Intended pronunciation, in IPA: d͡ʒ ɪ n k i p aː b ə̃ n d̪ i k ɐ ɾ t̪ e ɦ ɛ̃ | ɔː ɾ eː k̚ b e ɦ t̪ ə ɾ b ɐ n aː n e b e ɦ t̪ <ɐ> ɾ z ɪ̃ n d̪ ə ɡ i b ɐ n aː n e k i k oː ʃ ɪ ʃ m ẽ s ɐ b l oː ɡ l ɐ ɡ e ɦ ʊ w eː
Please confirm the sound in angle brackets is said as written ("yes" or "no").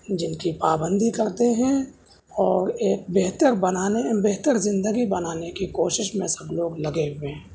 no